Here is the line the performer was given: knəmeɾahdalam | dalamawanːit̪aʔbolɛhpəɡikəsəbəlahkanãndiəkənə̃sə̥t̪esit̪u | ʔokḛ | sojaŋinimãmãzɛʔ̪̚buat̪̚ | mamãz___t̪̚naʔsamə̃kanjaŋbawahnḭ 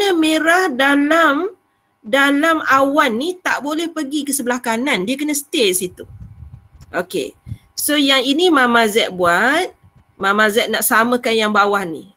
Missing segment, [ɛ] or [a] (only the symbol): ɛ